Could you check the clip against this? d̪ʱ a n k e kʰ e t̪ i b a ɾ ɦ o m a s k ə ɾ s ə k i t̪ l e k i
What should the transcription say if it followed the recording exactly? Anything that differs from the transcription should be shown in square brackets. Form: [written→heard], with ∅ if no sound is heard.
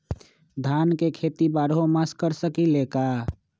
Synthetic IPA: d̪ʱ a n k e kʰ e t̪ i b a ɾ ɦ o m a s k ə ɾ s ə k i [t̪→∅] l e k [i→a]